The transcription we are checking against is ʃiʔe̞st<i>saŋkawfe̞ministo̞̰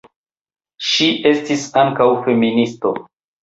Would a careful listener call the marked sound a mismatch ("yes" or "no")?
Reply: no